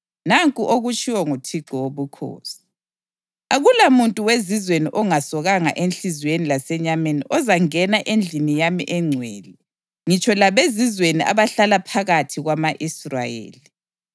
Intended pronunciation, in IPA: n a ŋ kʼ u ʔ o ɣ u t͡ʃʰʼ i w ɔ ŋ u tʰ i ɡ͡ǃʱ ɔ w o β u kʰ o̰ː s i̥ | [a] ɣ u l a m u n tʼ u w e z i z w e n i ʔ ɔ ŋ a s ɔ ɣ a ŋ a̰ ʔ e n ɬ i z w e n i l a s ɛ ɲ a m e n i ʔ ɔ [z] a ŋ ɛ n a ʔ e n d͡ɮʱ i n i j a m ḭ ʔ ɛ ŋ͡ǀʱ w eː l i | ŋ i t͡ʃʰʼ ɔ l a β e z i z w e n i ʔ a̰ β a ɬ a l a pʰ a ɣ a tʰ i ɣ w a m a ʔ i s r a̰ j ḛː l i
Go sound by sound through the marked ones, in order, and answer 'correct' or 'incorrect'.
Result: correct, correct

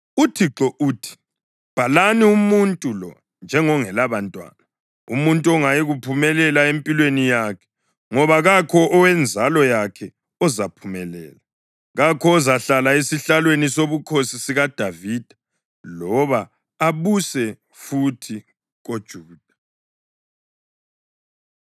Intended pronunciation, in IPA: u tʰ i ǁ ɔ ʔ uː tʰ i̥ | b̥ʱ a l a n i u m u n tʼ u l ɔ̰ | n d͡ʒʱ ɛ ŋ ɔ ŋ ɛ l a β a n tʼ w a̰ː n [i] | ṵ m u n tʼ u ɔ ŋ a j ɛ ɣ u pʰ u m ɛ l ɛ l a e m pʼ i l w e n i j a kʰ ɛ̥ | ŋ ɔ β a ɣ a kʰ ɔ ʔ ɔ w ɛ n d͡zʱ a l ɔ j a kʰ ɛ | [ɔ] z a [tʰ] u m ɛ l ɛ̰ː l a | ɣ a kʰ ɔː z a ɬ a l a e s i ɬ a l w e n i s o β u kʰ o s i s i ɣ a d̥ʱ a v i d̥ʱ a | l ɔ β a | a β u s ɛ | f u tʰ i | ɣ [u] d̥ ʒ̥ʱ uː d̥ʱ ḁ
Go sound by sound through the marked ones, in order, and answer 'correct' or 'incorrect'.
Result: incorrect: a, correct, incorrect: pʰ, incorrect: o

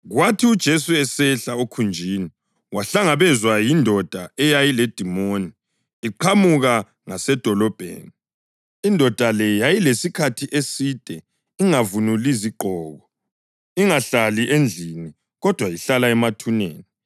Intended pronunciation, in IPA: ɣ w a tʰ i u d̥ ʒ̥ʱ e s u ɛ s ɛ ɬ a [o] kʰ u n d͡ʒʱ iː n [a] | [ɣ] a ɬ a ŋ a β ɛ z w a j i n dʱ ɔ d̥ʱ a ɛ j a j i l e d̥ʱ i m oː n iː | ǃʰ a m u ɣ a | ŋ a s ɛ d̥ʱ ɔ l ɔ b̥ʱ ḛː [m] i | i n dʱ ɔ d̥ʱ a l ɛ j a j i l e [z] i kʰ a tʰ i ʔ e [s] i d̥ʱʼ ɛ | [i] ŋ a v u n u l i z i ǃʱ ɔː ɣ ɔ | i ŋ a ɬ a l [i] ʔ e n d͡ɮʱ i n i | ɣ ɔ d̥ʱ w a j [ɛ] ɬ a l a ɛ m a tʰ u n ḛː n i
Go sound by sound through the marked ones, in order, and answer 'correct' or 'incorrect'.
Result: correct, incorrect: i, incorrect: w, incorrect: n, incorrect: s, correct, correct, correct, incorrect: i

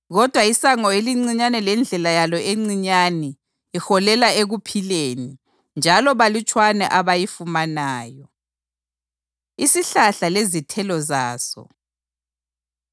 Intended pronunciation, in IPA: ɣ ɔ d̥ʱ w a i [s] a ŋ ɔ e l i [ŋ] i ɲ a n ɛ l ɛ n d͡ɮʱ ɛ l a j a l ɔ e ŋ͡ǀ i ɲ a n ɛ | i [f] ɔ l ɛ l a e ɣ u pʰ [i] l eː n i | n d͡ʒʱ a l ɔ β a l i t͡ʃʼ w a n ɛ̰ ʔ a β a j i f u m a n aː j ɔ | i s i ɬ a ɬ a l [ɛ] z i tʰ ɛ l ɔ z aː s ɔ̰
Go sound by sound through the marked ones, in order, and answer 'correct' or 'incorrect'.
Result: correct, incorrect: ŋ͡ǀ, incorrect: x, correct, incorrect: e

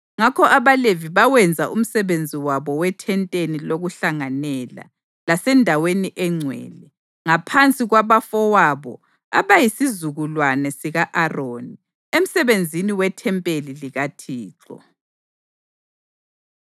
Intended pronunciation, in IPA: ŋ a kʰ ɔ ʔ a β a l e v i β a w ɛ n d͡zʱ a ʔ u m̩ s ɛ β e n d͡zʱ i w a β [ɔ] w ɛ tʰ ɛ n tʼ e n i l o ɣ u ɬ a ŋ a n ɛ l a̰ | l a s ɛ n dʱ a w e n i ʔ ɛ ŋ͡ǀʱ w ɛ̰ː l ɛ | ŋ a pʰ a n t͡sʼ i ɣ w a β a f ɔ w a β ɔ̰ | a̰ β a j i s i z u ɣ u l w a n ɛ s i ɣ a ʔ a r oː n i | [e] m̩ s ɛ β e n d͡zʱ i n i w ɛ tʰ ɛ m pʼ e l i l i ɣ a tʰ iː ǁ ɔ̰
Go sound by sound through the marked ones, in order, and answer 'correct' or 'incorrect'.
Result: correct, correct

